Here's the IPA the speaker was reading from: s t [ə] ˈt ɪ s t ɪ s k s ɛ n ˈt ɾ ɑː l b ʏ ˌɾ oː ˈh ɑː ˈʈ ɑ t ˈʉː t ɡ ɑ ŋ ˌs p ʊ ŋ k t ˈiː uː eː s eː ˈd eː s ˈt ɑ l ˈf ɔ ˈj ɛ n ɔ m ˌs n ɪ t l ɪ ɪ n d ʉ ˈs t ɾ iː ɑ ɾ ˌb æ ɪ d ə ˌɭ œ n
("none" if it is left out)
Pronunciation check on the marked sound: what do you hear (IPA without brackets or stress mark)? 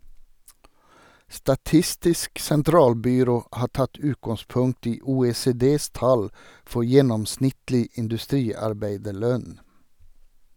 ɑ